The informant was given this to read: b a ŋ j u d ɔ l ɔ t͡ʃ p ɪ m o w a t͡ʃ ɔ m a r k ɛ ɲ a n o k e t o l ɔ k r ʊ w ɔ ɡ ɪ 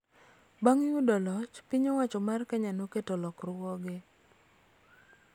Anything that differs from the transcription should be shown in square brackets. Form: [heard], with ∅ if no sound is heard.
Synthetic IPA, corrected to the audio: b a ŋ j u d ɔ l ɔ t͡ʃ p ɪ [ɲ] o w a t͡ʃ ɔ m a r k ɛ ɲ a n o k e t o l ɔ k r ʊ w ɔ ɡ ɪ